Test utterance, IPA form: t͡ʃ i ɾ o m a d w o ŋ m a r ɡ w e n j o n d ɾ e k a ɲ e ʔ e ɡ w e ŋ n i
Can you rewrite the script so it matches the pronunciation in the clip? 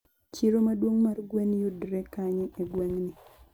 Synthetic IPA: t͡ʃ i ɾ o m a d w o ŋ m a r ɡ w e n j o d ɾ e k a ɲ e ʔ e ɡ w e ŋ n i